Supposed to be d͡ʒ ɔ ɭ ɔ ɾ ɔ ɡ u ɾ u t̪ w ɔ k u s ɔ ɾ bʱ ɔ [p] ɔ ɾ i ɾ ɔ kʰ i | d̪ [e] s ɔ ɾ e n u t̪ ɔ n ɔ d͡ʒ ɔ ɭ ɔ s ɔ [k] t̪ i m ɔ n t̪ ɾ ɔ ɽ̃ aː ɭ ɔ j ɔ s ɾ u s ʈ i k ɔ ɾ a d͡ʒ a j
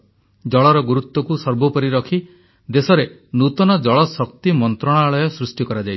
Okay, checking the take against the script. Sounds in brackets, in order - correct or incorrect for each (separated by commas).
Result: correct, correct, correct